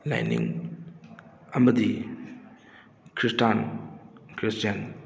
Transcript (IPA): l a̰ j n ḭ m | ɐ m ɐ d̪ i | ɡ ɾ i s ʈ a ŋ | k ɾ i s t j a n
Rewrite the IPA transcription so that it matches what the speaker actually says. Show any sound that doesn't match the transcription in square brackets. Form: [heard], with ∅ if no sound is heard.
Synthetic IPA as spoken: l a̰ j n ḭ [ŋ] | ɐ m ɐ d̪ i | [k] ɾ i s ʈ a [n] | k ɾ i s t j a n